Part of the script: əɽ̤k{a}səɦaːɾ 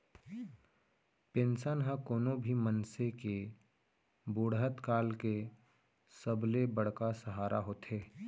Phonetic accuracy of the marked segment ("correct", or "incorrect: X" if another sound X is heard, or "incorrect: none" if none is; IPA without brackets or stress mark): correct